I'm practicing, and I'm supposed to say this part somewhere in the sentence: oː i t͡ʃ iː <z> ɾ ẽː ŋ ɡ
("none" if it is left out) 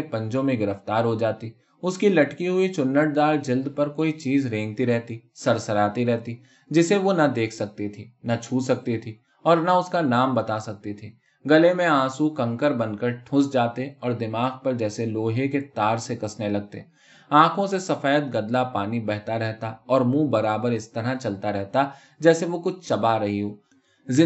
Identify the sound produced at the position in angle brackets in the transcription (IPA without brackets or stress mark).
z